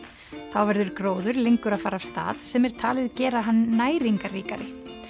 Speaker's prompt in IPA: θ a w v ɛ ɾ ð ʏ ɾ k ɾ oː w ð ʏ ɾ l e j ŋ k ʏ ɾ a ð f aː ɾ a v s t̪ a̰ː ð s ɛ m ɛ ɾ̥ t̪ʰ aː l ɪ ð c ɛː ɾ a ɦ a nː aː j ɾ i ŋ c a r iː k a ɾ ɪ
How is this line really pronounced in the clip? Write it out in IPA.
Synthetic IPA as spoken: θ a w v ɛ ɾ ð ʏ ɾ k ɾ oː w ð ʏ ɾ l e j ŋ k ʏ ɾ a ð f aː ɾ a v s t̪ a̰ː ð s ɛ m ɛ ɾ̥ t̪ʰ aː l ɪ ð c ɛː ɾ a ɦ a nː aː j ɾ i ŋ k a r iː k a ɾ ɪ